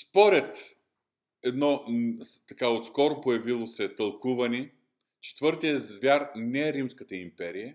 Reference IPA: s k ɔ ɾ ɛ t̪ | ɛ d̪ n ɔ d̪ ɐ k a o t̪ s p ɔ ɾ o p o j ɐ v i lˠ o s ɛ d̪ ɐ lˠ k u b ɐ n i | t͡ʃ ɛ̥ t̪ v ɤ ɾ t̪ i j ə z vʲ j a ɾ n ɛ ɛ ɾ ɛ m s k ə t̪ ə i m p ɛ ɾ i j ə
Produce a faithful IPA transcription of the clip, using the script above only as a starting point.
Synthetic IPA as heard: s p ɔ ɾ ɛ t̪ | ɛ d̪ n ɔ t̪ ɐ k a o t̪ s k ɔ ɾ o p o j ɐ v i lˠ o s ɛ t̪ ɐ lˠ k u v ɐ n i | t͡ʃ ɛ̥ t̪ v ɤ ɾ t̪ i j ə z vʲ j a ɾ n ɛ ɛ ɾ i m s k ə t̪ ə i m p ɛ ɾ i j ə